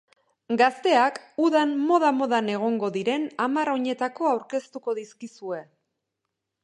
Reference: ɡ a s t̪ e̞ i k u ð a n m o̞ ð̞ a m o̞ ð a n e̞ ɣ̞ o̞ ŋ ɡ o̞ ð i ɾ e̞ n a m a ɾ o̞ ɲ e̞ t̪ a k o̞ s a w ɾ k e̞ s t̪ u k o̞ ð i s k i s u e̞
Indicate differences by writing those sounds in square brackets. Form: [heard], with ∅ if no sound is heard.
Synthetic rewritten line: ɡ a s t̪ e̞ [a] k u ð a n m o̞ ð̞ a m o̞ ð a n e̞ ɣ̞ o̞ ŋ ɡ o̞ ð i ɾ e̞ n a m a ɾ o̞ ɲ e̞ t̪ a k o̞ [∅] a w ɾ k e̞ s t̪ u k o̞ ð i s k i s u e̞